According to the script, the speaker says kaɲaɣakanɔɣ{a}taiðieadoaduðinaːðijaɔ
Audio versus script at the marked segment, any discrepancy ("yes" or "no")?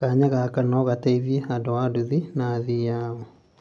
no